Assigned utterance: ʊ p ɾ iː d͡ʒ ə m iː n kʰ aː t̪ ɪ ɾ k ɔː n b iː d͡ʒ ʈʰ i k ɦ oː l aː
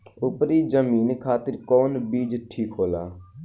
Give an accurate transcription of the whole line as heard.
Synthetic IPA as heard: ʊ p ɾ iː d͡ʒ ə m iː n kʰ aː t̪ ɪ ɾ k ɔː n b iː d͡ʒ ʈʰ iː k ɦ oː l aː